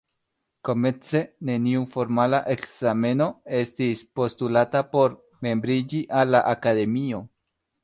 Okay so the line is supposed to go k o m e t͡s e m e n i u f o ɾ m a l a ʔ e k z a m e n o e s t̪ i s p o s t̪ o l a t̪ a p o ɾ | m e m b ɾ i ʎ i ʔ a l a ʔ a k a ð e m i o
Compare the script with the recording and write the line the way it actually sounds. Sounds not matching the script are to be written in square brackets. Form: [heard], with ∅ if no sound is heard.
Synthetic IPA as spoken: k o m e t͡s e [n] e n i u f o ɾ m a l a ʔ e k [s] a m e n o e s t̪ i s p o s t̪ [u] l a t̪ a p o ɾ | m e m b ɾ i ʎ i ʔ a l a ʔ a k a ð e m i o